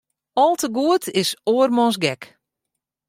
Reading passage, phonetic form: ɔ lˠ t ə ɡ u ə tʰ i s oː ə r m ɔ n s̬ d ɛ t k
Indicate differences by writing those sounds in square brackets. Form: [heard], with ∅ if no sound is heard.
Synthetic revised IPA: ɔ lˠ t ə ɡ u ə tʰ [ɪ] s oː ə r m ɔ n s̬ [ɡ] ɛ [∅] k